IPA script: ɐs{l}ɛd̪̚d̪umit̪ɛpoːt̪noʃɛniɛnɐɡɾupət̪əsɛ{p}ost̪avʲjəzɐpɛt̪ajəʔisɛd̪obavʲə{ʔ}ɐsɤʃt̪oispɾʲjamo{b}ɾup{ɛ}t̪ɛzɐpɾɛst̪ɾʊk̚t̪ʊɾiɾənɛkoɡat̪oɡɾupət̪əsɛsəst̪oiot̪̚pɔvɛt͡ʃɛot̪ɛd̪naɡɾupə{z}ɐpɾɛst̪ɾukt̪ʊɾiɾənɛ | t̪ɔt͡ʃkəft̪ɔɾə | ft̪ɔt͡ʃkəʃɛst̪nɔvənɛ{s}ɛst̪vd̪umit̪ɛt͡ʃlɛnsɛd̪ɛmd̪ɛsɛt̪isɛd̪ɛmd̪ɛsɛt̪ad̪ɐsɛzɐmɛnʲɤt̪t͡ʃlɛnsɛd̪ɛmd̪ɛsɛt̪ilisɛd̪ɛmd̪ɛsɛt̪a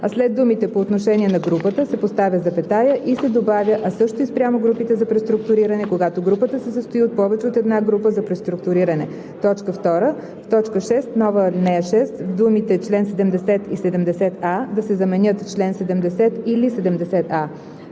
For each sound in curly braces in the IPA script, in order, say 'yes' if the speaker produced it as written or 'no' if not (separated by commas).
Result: yes, yes, yes, no, no, yes, no